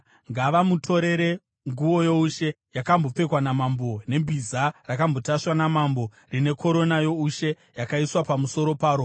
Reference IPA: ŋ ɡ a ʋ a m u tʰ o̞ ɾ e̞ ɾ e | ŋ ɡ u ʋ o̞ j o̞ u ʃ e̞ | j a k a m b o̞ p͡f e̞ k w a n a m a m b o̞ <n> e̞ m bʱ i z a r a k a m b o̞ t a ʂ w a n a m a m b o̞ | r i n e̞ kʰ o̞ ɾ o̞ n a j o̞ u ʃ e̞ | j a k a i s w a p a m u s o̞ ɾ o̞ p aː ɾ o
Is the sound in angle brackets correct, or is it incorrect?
correct